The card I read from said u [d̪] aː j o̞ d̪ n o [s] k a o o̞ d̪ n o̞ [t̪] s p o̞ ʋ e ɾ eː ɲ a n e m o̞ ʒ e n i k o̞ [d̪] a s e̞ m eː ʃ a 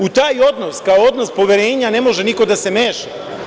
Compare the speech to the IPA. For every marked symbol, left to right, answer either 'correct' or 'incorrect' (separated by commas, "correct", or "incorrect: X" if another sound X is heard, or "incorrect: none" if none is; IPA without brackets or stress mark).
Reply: incorrect: t̪, correct, incorrect: none, correct